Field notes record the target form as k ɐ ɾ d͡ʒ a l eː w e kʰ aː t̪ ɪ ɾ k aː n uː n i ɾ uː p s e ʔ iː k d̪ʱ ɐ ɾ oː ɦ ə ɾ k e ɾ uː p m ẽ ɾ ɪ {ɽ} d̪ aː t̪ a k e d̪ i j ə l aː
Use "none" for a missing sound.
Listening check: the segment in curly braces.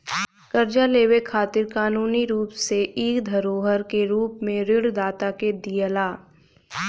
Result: ɽ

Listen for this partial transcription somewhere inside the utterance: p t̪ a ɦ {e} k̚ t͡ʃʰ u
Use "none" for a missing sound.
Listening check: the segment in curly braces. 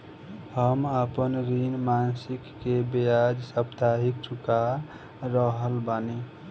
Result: i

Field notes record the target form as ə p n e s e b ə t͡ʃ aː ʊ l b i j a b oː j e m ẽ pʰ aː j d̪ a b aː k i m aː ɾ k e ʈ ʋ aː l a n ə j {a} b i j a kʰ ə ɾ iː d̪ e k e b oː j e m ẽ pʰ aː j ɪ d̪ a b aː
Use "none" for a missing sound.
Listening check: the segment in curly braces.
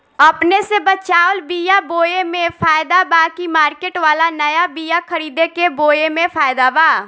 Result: a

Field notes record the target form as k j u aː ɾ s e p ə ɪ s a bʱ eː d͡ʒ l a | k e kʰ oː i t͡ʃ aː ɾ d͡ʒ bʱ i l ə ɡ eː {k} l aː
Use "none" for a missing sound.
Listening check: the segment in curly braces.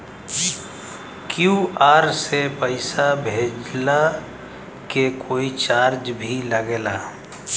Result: none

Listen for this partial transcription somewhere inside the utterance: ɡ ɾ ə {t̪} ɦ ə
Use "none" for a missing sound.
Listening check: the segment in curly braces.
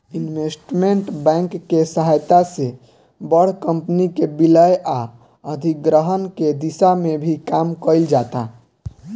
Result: none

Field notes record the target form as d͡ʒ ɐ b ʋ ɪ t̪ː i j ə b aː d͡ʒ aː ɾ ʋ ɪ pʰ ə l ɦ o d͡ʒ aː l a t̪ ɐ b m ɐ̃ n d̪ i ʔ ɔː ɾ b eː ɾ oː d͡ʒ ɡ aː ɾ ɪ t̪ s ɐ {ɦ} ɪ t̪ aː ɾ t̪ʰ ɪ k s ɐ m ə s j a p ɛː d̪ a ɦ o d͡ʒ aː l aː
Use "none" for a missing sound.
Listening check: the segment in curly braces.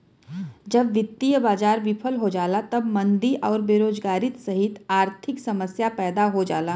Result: ɦ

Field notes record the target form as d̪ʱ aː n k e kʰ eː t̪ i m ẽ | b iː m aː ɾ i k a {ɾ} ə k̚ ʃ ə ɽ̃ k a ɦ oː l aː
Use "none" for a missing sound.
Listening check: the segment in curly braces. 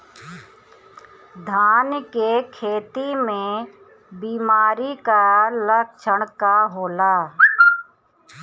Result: l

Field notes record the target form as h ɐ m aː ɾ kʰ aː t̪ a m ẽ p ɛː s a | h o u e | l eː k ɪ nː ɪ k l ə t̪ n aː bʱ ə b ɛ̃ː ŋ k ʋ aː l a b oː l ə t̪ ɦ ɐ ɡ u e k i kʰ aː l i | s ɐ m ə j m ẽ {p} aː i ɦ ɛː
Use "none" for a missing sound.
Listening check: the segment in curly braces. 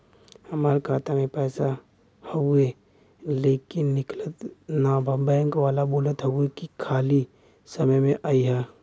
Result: ʔ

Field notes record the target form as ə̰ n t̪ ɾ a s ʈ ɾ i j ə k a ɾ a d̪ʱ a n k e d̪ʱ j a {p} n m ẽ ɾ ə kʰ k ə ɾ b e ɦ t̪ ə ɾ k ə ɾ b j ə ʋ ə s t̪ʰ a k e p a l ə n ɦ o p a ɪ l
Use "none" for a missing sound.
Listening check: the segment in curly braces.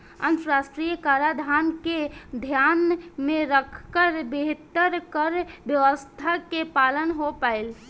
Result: none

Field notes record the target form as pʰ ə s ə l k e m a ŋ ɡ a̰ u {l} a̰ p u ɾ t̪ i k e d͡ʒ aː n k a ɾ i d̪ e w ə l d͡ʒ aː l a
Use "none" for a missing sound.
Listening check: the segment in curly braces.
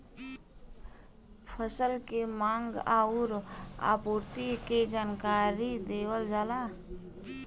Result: ɾ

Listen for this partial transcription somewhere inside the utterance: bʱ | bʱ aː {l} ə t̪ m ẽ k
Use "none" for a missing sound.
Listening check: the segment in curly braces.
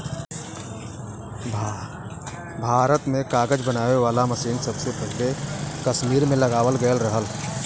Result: ɾ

